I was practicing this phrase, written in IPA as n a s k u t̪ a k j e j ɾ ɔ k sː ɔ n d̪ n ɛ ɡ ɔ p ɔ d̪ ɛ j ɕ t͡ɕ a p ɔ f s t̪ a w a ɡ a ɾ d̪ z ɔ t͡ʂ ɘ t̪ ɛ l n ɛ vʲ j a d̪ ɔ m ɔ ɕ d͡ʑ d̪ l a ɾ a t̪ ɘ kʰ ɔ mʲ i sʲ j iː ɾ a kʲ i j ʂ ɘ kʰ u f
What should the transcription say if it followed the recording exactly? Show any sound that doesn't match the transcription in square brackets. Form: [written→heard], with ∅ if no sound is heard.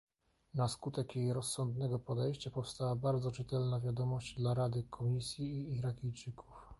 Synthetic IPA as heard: n a s k u t̪ [a→ɛ] k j e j ɾ ɔ [k→∅] sː ɔ n d̪ n ɛ ɡ ɔ p ɔ d̪ ɛ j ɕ t͡ɕ a p ɔ f s t̪ a w a [ɡ→b] a ɾ d̪ z ɔ t͡ʂ ɘ t̪ ɛ l n [ɛ→a] vʲ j a d̪ ɔ m ɔ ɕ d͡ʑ d̪ l a ɾ a [t̪→d̪] ɘ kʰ ɔ mʲ i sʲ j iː ɾ a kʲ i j [ʂ→t͡ʂ] ɘ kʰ u f